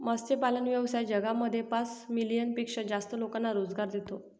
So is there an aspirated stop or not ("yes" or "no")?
no